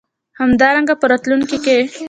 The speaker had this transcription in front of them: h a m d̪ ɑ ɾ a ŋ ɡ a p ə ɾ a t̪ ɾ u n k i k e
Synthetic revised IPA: h a m d̪ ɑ ɾ a ŋ ɡ a p ə ɾ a t̪ l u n k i k e